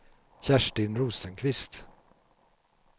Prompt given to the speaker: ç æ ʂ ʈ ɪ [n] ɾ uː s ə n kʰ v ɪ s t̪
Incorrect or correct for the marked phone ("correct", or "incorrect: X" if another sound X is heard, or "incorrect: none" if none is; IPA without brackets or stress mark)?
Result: correct